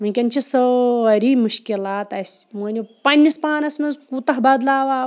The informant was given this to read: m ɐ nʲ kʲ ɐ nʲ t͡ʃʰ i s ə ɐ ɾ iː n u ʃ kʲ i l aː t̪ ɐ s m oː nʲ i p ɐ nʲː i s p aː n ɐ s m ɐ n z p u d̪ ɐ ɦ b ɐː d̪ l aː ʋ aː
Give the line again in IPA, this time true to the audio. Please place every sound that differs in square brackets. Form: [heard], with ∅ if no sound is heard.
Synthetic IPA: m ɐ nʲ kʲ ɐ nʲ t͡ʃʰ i s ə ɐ ɾ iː [m] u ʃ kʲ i l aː t̪ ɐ s m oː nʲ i p ɐ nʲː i s p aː n ɐ s m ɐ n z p u [t̪] ɐ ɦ b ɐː d̪ l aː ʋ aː